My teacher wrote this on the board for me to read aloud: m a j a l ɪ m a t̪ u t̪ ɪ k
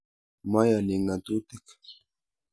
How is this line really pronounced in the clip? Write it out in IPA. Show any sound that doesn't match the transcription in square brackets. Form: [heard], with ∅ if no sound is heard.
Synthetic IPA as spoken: m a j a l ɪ [ŋ] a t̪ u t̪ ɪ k